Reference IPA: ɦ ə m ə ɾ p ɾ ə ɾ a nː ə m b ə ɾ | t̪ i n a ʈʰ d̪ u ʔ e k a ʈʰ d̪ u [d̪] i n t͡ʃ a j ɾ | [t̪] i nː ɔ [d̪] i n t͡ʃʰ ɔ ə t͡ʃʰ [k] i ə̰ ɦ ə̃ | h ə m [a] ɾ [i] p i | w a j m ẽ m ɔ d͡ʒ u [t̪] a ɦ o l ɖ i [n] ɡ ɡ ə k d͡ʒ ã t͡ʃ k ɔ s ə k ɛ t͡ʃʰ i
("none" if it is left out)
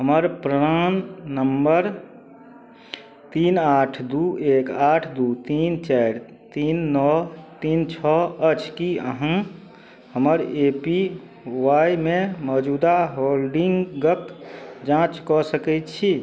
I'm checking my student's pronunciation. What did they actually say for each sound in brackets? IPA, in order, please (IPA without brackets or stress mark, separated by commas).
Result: t̪, t̪, t̪, k, ə, e, d̪, ŋ